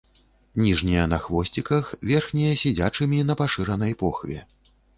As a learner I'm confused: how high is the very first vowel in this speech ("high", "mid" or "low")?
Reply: high